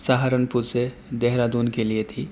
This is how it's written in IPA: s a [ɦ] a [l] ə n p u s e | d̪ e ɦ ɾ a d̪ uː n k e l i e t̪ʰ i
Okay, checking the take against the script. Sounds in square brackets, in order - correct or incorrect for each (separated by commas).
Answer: correct, incorrect